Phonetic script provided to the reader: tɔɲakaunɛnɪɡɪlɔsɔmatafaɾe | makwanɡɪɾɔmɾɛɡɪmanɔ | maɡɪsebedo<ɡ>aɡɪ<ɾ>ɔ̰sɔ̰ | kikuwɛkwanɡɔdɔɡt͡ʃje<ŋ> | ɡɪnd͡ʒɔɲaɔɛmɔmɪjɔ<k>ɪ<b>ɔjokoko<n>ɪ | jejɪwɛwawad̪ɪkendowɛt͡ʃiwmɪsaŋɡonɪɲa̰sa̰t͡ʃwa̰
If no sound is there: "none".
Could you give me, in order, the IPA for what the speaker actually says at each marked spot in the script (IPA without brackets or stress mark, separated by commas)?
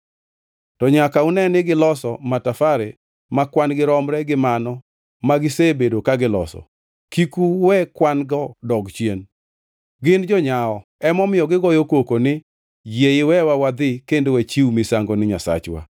k, l, n, ɡ, ɡ, n